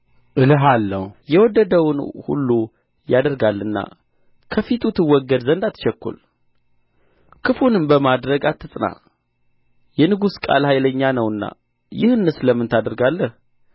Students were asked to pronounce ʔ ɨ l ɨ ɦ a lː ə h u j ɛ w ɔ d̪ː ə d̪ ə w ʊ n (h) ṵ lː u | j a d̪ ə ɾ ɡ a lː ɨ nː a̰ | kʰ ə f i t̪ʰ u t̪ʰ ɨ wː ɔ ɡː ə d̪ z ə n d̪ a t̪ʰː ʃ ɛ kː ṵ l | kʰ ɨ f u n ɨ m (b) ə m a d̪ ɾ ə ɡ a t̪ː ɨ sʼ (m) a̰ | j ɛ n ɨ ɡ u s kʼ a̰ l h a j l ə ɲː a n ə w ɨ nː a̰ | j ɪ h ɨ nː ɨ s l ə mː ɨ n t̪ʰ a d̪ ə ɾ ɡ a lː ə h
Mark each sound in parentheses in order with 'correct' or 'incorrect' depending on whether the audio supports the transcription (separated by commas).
correct, correct, incorrect